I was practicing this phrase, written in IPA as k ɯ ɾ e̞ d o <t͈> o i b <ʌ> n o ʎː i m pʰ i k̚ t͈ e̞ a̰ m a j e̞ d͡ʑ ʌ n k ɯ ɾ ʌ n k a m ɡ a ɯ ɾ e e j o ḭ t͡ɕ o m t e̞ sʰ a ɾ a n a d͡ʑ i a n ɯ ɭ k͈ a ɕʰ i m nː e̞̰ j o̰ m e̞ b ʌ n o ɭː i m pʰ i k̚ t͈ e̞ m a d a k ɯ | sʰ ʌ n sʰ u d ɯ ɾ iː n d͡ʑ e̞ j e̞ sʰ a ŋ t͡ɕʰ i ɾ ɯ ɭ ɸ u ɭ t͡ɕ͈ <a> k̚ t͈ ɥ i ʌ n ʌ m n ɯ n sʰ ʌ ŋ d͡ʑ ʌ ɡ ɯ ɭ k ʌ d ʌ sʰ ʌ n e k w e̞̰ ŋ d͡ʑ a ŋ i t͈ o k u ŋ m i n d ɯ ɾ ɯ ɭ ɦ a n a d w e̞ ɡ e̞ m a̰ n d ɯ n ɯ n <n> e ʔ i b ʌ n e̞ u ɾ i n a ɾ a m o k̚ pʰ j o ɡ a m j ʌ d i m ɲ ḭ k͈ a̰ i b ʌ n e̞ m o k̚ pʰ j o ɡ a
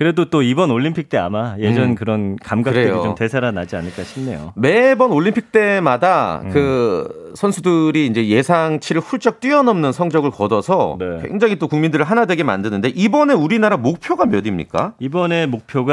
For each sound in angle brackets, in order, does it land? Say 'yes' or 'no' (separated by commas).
yes, yes, no, no